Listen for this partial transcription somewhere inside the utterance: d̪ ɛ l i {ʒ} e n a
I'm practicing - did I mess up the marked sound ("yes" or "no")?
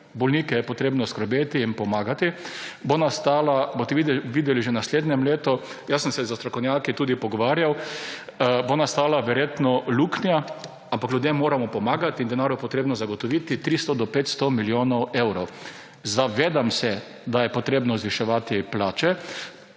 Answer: no